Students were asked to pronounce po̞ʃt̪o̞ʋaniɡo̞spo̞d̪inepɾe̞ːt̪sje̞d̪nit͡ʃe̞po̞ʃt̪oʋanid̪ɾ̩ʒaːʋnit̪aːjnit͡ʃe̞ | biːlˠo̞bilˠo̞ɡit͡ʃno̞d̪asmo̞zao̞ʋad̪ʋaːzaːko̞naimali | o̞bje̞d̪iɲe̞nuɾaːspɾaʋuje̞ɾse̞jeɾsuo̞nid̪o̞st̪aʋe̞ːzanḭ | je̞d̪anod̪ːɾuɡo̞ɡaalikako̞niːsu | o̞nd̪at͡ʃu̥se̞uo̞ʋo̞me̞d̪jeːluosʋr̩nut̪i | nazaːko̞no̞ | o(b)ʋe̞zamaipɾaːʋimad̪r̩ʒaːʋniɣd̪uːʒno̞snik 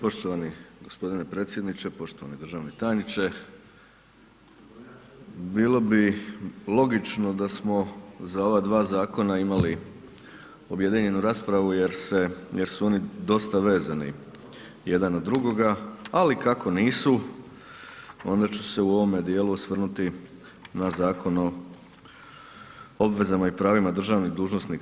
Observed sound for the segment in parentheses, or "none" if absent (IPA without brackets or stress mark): b